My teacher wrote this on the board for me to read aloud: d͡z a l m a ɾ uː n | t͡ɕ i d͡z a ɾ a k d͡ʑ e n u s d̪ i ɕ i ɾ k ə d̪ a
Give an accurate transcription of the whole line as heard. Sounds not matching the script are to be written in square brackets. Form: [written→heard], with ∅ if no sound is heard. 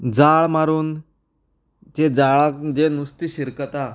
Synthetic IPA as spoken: d͡z a [l→ɭ] m a ɾ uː n | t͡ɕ [i→e] d͡z a [ɾ→ɭ] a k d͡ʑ e n u s [d̪→t̪] i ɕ i ɾ k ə [d̪→t̪] a